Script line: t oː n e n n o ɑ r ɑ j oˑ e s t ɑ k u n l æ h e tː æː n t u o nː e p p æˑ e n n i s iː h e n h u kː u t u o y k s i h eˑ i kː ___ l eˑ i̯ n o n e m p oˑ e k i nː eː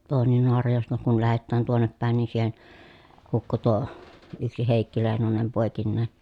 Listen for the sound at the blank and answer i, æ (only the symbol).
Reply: i